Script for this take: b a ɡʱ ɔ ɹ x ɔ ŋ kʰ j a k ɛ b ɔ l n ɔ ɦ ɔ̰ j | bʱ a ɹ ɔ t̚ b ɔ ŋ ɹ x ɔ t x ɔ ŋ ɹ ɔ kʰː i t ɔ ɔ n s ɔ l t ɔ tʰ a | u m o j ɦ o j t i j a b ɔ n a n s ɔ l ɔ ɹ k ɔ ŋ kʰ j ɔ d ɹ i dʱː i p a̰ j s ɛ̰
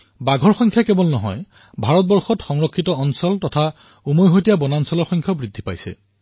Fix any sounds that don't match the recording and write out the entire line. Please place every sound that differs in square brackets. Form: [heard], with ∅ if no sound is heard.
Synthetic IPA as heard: b a ɡʱ ɔ ɹ x ɔ ŋ kʰ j a k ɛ b ɔ l n ɔ ɦ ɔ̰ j | bʱ a ɹ ɔ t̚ b ɔ [∅] ɹ x ɔ t x ɔ ŋ ɹ ɔ kʰː i t ɔ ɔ n s ɔ l t ɔ tʰ a | u m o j ɦ o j t i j a b ɔ n a n s ɔ l ɔ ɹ [x] ɔ ŋ kʰ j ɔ [b] ɹ i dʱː i p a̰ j s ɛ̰